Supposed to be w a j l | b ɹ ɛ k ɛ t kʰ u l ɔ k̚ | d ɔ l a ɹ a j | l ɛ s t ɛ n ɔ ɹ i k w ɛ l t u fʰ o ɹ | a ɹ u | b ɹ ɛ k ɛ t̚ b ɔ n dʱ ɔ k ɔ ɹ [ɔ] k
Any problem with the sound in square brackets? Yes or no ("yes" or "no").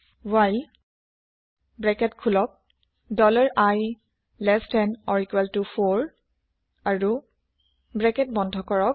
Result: no